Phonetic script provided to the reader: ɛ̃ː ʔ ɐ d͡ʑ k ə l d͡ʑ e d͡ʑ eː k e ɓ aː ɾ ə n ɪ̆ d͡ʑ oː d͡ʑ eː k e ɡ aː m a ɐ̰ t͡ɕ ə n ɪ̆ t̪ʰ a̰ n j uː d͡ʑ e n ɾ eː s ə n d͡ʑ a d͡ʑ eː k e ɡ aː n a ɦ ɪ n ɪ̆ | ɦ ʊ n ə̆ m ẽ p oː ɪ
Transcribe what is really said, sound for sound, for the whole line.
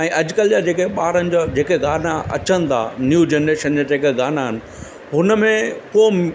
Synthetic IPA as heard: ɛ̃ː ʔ ɐ d͡ʑ k ə l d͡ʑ a d͡ʑ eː k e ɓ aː ɾ ə n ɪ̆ d͡ʑ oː d͡ʑ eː k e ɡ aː n a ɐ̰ t͡ɕ ə n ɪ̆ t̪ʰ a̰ n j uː d͡ʑ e n ɾ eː ʃ ə n d͡ʑ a d͡ʑ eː k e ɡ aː n a ɦ ɪ n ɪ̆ | ɦ ʊ n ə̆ m ẽ p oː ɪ